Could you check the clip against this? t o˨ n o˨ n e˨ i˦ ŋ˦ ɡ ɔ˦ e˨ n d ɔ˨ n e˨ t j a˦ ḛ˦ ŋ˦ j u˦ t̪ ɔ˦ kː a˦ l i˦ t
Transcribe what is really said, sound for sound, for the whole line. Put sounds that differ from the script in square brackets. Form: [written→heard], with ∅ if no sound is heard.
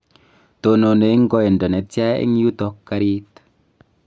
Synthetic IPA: t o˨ n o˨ n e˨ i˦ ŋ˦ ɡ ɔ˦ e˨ n d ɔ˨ n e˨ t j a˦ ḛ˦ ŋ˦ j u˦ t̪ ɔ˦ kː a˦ [l→ɾ] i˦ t